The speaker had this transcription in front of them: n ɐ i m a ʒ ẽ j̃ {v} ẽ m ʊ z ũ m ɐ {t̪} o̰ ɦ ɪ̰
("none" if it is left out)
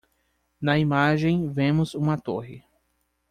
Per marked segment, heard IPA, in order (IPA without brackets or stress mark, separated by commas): v, t̪